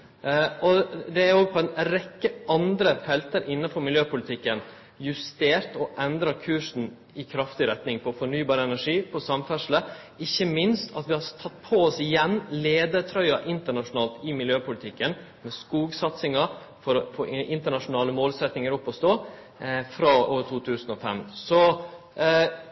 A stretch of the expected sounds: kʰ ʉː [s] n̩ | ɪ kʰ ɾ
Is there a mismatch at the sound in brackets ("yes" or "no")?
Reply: yes